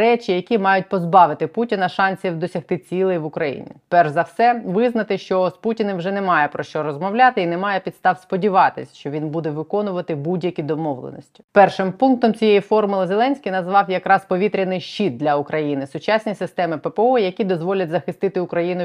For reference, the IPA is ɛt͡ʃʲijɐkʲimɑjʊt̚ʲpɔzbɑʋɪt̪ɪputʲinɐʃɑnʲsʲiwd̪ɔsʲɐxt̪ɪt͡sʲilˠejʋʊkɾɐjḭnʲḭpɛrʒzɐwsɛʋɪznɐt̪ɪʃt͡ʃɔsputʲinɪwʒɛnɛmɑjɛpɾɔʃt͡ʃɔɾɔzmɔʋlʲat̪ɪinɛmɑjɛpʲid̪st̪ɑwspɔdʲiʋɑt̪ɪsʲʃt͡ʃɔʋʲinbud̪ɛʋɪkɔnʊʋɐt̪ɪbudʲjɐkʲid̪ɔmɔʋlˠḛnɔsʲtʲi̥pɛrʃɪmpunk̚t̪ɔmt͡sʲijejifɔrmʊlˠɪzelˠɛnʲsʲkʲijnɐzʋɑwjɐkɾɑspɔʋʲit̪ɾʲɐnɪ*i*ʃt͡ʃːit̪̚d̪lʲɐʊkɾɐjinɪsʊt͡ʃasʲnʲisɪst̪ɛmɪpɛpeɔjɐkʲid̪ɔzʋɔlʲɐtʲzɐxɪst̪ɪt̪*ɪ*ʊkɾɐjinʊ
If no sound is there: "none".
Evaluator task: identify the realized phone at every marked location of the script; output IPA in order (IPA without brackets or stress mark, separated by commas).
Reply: j, ɪ